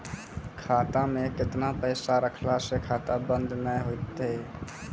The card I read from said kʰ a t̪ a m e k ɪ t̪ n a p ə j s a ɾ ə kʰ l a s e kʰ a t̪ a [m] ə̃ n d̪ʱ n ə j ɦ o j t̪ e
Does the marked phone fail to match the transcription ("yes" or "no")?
yes